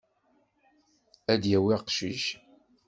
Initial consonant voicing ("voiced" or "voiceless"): voiced